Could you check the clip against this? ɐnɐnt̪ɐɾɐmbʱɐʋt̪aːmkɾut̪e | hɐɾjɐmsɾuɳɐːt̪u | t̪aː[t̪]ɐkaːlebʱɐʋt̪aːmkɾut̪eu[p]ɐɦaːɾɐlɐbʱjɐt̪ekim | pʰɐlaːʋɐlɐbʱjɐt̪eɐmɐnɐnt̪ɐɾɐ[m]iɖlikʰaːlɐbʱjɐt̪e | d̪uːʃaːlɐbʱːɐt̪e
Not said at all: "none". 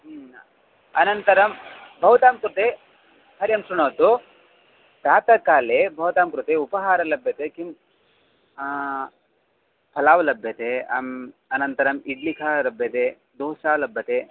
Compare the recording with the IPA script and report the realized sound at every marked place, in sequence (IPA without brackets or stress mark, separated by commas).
t̪, p, m